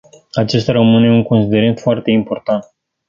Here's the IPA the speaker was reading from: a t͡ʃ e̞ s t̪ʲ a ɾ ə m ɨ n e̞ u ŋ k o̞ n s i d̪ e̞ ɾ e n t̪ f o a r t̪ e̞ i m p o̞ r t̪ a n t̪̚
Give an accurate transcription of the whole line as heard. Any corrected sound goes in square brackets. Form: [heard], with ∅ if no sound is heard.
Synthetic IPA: a t͡ʃ e̞ s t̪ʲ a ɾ ə m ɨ n e̞ u ŋ k o̞ n s i d̪ e̞ ɾ e n t̪ f o a r t̪ e̞ i m p o̞ r t̪ a n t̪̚